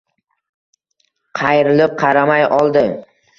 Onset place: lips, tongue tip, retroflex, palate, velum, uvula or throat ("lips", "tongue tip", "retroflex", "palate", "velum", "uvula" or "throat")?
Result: uvula